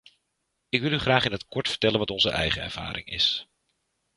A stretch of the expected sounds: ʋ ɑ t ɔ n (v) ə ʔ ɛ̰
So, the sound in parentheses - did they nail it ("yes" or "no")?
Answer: no